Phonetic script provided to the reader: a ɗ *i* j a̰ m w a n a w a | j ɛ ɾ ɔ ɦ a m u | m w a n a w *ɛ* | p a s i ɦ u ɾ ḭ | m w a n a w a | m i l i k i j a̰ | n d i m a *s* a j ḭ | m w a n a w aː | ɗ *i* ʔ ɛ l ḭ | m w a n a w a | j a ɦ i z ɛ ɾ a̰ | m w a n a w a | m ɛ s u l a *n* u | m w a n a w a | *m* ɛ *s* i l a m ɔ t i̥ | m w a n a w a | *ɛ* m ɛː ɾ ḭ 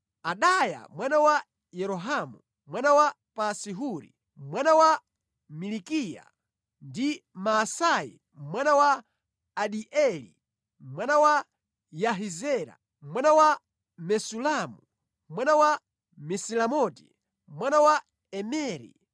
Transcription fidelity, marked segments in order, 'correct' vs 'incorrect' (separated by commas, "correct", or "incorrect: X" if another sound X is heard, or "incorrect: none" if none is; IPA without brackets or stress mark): incorrect: a, incorrect: a, correct, correct, incorrect: m, correct, correct, correct